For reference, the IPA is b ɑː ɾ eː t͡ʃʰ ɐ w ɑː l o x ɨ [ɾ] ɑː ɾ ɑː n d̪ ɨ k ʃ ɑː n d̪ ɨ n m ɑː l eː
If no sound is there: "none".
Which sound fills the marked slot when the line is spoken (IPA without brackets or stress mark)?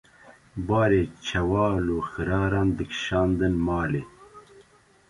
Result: ɾ